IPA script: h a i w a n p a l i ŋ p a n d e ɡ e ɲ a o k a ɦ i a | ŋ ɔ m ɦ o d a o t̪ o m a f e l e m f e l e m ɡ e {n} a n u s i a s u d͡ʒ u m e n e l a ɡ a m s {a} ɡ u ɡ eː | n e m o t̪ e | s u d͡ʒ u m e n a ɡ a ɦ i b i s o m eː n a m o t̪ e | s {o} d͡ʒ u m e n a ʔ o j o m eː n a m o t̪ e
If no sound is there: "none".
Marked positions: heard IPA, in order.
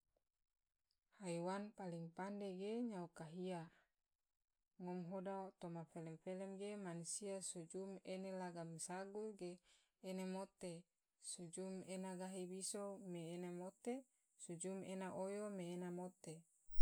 m, a, u

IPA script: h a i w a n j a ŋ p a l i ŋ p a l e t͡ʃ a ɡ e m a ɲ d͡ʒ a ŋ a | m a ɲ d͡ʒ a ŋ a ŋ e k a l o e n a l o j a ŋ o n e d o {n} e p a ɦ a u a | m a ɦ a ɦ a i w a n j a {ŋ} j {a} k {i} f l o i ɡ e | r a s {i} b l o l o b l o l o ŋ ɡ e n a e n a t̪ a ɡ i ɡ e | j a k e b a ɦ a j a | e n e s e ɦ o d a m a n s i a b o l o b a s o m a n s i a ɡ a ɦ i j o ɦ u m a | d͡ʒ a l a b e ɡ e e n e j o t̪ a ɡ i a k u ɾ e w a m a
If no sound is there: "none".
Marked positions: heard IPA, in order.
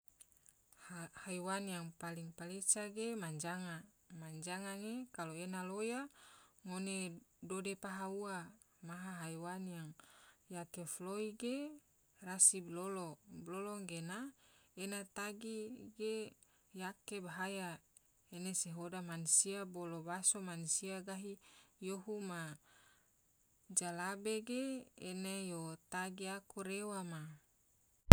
d, ŋ, a, e, i

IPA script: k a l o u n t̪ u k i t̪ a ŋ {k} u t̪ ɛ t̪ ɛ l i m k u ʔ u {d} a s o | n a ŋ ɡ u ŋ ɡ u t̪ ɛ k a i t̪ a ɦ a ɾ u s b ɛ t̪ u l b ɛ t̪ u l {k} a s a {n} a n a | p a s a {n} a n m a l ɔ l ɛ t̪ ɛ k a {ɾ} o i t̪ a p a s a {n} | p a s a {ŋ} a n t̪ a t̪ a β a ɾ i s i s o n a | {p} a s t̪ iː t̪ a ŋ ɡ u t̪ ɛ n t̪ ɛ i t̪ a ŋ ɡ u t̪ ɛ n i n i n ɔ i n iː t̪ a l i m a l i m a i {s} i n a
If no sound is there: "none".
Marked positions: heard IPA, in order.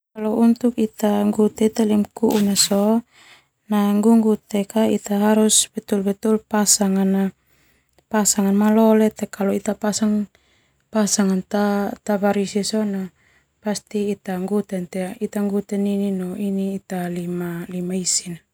ɡ, n, p, ŋ, ŋ, l, ŋ, ŋ, p, s

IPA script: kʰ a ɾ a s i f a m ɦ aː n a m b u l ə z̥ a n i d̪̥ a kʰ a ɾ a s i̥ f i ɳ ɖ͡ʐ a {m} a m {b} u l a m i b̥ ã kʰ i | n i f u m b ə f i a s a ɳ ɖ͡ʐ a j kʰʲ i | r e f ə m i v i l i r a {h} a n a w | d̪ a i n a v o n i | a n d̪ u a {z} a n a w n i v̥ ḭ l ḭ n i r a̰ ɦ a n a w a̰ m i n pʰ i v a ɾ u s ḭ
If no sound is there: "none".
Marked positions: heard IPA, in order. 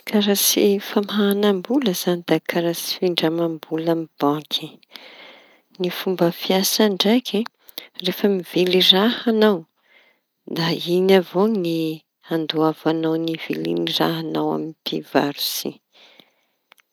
m, b, h, v

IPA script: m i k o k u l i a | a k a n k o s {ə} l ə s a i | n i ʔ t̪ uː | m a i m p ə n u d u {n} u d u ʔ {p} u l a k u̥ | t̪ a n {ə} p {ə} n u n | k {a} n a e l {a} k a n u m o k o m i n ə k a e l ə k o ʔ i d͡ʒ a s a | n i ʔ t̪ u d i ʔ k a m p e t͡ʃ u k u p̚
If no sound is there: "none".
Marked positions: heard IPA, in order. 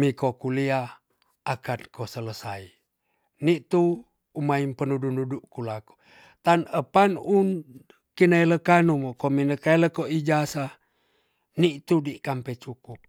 ə, n, k, ə, a, i, ə

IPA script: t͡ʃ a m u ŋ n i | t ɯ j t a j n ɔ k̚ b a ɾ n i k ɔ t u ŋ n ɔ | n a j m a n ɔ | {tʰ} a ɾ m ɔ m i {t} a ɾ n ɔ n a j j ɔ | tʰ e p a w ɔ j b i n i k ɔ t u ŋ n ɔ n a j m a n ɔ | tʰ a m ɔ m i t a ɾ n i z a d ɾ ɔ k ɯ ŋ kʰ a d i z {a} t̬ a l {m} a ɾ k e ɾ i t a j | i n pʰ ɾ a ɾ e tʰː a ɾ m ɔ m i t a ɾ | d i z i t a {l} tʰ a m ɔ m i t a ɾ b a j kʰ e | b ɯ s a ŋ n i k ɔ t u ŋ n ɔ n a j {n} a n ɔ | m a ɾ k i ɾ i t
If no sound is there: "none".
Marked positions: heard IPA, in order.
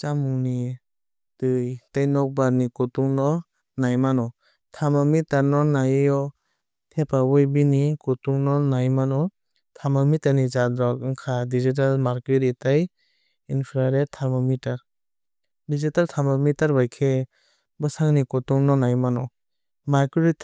tʰ, t, i, m, l, m

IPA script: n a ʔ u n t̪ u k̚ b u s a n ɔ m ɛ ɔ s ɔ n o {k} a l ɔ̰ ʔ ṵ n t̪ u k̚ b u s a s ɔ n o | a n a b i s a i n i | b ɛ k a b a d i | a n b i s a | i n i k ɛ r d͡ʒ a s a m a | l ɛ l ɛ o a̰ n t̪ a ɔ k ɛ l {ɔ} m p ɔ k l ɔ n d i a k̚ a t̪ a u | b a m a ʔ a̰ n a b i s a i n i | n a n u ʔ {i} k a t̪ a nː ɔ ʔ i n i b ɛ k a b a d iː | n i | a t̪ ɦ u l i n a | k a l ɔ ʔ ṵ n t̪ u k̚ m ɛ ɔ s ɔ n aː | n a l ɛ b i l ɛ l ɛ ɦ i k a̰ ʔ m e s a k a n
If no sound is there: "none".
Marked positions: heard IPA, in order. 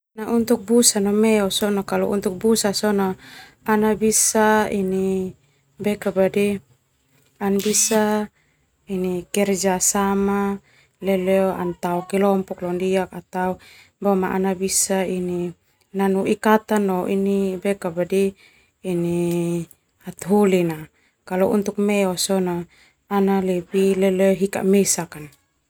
k, ɔ, i

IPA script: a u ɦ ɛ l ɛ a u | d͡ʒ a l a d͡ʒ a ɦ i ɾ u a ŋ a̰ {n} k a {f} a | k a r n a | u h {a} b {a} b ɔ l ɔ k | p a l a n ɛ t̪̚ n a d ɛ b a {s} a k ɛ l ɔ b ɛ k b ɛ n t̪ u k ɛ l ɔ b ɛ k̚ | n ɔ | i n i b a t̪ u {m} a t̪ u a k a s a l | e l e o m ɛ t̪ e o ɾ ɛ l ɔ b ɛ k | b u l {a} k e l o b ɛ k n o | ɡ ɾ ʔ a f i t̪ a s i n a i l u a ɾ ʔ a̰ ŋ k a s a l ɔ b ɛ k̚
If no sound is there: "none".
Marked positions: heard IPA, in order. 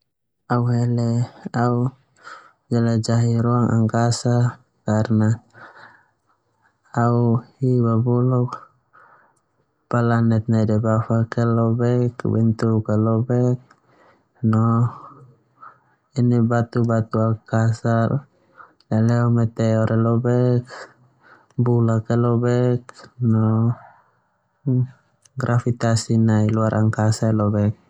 ŋ, s, i, a, f, b, a

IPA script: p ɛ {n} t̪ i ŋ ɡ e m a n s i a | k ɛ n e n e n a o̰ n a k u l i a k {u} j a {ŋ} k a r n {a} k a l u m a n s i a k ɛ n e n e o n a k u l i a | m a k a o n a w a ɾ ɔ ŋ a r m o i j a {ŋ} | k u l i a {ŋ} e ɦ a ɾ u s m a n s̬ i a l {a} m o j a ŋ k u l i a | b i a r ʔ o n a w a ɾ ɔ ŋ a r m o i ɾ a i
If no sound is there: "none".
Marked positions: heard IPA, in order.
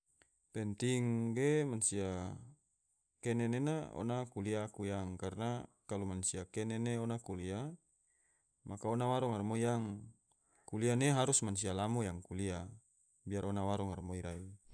n, u, ŋ, a, ŋ, n, a

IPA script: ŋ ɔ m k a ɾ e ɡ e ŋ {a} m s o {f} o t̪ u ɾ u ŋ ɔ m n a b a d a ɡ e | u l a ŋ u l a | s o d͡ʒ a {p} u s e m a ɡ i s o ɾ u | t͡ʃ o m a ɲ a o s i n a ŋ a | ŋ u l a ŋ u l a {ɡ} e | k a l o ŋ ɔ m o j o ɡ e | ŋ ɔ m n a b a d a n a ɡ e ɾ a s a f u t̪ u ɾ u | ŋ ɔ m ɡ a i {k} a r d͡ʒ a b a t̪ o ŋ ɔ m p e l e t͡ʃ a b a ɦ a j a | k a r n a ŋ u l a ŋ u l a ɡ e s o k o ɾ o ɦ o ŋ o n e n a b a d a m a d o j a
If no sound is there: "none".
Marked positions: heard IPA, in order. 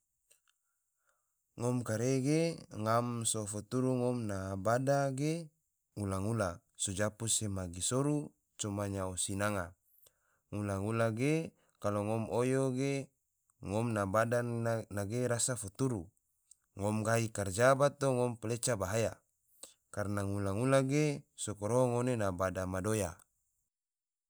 a, f, p, ɡ, k

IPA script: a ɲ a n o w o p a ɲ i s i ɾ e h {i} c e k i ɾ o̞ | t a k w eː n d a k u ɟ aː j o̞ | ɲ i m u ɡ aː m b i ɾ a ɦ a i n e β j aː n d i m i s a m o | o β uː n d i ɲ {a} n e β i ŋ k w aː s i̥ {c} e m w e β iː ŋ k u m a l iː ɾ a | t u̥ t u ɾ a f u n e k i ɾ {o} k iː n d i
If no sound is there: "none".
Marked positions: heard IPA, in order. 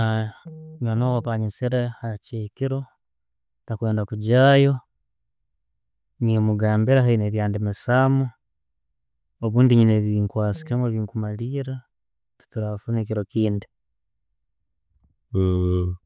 a, i, k, o

